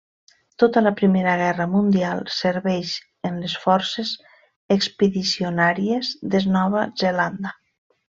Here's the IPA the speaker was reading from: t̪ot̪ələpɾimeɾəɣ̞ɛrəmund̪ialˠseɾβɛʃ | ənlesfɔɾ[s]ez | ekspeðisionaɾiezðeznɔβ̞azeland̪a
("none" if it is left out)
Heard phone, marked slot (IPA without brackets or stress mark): s